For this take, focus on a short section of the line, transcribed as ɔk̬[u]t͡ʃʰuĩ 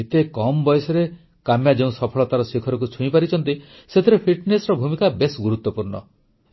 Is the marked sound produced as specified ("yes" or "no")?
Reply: yes